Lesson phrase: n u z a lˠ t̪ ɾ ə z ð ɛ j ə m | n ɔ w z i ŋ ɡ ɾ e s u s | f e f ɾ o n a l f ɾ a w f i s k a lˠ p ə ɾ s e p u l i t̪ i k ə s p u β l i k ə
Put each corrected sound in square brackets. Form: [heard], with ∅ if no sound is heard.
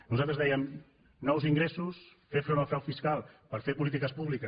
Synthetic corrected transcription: n u z a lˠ t̪ ɾ ə z ð ɛ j ə m | n ɔ w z i ŋ ɡ ɾ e s u s | f e f ɾ o n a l f ɾ a w f i s k a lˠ p ə ɾ [f] e p u l i t̪ i k ə s p u β l i k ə